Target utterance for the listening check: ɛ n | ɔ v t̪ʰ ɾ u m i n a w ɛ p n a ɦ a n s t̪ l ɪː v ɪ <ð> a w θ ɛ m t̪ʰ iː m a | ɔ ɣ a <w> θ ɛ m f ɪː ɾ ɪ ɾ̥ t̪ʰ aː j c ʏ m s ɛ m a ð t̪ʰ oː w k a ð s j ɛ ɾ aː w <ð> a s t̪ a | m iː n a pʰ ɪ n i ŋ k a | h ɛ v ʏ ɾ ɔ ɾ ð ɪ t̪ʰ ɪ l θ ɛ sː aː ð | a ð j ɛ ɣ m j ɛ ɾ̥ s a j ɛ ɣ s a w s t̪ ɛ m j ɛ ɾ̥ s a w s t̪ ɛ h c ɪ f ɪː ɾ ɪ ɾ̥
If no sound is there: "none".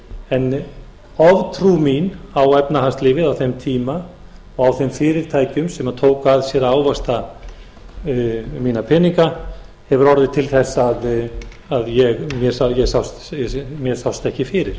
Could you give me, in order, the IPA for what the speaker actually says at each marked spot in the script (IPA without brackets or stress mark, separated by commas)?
ð, w, v